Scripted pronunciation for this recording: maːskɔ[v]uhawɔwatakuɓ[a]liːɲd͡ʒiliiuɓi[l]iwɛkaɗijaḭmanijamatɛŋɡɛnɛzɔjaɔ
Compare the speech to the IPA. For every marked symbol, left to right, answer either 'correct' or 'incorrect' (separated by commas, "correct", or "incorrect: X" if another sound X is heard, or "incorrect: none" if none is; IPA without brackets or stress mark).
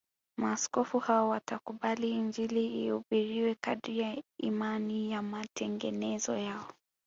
incorrect: f, correct, incorrect: ɾ